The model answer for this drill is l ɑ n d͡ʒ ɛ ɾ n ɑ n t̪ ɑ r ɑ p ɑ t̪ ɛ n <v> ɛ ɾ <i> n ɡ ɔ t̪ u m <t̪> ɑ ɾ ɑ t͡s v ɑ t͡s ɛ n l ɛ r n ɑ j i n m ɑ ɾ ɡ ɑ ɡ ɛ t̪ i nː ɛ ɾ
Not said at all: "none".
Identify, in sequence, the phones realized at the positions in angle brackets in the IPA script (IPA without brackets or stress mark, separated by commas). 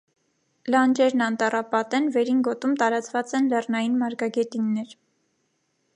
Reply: v, i, t̪